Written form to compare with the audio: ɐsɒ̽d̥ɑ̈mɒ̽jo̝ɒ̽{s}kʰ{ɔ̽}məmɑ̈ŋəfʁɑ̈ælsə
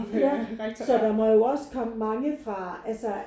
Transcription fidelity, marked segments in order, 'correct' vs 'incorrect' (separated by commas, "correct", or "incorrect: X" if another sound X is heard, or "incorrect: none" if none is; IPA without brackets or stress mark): correct, incorrect: ɒ̽